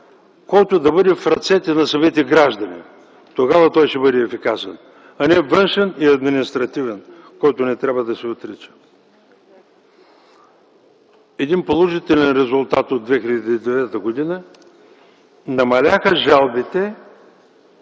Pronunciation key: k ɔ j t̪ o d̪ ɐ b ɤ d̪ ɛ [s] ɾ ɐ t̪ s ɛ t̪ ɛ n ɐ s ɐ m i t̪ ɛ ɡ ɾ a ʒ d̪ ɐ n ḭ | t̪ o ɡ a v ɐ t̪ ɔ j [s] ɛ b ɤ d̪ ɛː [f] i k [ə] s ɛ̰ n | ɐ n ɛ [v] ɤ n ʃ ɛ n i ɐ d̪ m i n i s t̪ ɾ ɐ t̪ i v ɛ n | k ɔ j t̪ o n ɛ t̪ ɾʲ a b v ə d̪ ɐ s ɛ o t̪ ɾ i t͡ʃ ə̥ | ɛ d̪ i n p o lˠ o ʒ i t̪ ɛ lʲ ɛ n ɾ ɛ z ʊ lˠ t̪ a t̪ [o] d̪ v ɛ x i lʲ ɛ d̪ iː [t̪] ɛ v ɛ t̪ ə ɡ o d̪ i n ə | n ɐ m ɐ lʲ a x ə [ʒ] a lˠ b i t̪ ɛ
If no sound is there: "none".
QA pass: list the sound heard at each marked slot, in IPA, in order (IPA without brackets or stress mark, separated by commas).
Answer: f, ʃ, f, a, v, o, d̪, ʒ